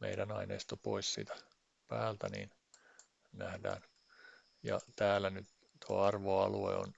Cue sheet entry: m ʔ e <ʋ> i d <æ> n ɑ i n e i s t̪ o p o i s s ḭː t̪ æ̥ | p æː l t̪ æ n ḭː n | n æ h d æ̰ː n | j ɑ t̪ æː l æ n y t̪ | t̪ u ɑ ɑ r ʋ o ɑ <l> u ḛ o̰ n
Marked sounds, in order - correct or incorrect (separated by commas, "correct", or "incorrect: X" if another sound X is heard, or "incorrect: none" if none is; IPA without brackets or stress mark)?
incorrect: none, correct, correct